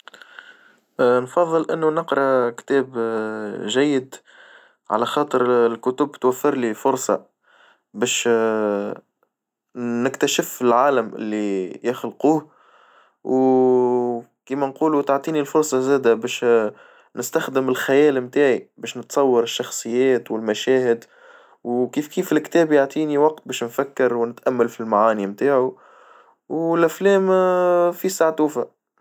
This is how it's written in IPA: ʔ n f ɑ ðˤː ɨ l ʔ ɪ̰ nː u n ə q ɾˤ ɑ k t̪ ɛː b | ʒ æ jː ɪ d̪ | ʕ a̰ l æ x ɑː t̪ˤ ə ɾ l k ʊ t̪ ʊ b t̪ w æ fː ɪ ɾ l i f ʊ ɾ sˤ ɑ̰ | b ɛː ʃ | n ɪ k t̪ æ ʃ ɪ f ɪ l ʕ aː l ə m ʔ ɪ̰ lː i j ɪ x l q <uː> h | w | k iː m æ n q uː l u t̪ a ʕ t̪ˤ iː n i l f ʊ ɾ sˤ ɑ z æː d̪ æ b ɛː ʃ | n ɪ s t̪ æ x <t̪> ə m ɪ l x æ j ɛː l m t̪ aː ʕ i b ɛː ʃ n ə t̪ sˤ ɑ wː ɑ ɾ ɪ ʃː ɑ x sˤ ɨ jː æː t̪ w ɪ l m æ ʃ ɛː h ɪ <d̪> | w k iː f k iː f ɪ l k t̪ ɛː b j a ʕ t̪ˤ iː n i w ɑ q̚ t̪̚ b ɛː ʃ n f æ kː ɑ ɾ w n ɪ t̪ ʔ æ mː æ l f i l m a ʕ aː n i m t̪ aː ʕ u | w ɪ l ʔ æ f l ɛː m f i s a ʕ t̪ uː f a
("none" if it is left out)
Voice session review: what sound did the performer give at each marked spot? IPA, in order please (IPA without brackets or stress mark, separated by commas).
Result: uː, d̪, d̪